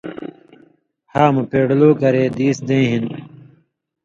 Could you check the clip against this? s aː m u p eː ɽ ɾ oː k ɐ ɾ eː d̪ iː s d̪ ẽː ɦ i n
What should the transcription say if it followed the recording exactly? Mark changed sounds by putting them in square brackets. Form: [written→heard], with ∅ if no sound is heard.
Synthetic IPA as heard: [s→h] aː m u p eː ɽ [ɾ→l] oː k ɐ ɾ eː d̪ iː s d̪ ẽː ɦ i n